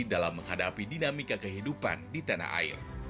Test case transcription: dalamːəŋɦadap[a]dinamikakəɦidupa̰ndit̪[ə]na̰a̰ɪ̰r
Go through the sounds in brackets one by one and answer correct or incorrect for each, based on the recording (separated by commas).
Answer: incorrect, incorrect